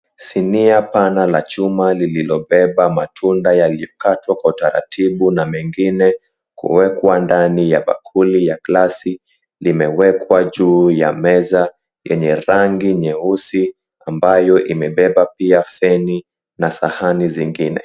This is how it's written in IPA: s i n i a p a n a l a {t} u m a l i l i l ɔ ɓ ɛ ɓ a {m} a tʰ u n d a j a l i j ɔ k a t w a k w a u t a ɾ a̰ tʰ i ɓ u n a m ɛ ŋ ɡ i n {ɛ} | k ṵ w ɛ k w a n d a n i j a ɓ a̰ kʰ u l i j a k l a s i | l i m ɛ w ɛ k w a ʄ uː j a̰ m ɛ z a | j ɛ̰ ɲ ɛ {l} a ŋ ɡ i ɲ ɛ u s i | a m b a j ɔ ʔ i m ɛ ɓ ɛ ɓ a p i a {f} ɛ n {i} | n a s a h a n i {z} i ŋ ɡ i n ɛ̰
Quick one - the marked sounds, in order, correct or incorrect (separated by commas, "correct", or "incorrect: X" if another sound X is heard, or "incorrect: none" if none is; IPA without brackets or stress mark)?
incorrect: t͡ʃ, correct, correct, incorrect: ɾ, correct, correct, correct